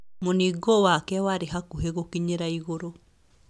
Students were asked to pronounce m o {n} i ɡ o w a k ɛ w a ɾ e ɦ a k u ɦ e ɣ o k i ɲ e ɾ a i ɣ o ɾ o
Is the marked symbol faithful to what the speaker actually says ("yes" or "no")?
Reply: yes